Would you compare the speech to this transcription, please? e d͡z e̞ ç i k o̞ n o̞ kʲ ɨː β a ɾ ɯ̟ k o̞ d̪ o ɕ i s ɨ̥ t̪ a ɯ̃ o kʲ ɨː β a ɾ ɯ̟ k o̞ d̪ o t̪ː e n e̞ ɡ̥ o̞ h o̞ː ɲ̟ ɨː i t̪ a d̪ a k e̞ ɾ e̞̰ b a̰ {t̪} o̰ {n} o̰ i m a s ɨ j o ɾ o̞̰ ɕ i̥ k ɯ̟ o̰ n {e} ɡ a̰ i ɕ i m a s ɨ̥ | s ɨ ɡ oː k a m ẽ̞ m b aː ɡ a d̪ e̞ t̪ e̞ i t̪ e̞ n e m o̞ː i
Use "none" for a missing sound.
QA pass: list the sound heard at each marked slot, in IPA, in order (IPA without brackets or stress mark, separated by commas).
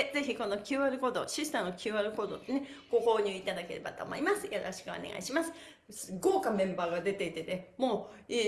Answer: t̪, m, e